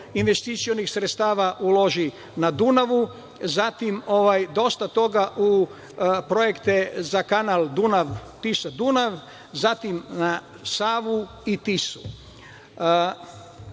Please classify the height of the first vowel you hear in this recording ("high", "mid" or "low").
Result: high